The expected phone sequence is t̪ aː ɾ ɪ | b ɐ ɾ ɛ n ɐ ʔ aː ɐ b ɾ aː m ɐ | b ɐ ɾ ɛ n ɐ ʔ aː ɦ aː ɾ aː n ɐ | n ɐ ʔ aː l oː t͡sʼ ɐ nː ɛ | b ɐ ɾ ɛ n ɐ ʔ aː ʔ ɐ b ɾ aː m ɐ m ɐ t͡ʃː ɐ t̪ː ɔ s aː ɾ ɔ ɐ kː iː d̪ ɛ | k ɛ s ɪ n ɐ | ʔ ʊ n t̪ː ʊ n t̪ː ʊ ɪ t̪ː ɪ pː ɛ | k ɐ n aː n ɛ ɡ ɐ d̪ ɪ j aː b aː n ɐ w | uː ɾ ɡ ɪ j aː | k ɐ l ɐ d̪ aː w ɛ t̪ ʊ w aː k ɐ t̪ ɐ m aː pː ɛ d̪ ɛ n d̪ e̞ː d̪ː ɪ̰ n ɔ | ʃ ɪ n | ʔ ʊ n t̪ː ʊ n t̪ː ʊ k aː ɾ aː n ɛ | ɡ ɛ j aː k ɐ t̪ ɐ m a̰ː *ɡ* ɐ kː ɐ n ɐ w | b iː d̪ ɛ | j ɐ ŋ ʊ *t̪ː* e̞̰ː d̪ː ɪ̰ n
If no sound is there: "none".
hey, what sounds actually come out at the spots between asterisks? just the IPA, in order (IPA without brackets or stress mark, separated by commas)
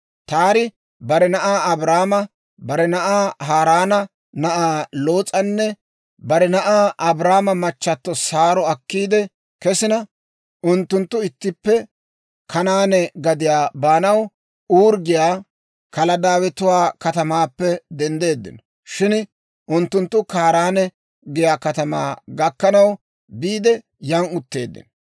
ɡ, t̪ː